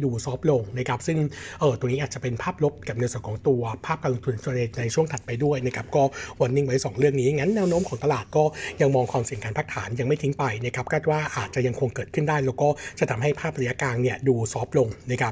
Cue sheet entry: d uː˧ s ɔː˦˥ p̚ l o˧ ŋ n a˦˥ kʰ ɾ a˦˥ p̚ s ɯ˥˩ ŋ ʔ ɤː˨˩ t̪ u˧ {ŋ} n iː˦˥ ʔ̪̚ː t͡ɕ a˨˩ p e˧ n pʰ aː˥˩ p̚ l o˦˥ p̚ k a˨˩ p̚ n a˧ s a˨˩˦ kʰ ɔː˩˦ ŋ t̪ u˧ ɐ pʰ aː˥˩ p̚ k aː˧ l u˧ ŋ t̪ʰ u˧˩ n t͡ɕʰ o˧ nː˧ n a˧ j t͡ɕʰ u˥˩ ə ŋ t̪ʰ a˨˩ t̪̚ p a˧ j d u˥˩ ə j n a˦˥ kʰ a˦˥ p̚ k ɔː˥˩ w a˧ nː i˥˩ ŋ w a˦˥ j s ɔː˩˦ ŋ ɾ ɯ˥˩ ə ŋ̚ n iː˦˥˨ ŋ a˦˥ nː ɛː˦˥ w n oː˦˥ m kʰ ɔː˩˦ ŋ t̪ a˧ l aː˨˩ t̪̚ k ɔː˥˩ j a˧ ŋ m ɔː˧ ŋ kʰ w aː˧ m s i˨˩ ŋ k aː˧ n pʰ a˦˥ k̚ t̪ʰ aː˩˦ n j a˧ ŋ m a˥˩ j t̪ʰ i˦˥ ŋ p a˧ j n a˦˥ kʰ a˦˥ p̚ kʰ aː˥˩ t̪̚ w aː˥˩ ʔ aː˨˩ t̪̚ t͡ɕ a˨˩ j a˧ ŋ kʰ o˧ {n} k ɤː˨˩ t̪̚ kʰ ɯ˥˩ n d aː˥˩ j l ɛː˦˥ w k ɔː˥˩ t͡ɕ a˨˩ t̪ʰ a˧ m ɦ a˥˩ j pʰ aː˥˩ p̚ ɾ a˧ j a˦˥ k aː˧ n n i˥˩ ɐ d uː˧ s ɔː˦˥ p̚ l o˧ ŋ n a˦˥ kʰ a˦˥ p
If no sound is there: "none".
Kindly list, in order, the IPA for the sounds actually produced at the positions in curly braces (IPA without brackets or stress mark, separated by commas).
ŋ, ŋ